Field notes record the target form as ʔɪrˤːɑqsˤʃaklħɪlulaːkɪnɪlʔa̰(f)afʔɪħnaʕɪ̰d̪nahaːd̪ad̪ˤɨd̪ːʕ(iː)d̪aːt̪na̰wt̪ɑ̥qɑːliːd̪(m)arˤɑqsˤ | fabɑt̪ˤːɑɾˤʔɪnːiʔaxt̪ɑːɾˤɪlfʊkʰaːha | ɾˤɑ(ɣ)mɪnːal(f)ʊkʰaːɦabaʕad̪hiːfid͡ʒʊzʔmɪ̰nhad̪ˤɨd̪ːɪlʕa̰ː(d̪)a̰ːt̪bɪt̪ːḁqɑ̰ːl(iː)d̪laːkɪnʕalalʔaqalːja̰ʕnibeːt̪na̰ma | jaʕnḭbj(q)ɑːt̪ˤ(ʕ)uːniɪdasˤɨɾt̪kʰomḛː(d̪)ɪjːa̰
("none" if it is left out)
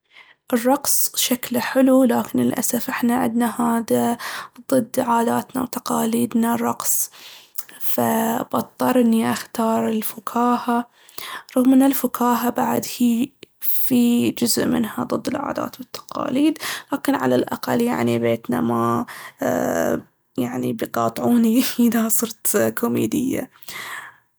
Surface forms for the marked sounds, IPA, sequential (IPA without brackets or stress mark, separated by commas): s, aː, n, ɣ, f, d̪, iː, q, ʕ, d̪